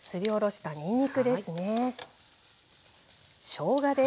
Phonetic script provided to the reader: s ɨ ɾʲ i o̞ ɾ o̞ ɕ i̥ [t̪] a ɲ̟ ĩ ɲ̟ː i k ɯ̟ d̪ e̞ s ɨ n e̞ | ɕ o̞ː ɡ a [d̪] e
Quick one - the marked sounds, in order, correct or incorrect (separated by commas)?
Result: correct, correct